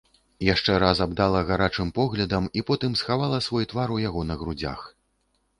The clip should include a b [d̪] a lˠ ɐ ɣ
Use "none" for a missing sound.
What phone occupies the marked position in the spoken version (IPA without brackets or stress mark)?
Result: d̪